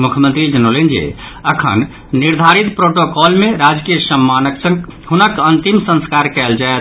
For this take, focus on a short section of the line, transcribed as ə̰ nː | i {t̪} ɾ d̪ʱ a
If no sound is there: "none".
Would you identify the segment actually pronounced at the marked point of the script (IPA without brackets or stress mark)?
none